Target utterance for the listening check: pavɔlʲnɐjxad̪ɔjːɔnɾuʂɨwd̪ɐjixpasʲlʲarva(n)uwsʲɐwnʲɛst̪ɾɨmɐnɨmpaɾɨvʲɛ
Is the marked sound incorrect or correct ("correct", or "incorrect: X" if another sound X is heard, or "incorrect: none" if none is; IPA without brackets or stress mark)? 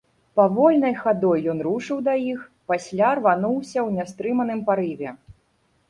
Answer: correct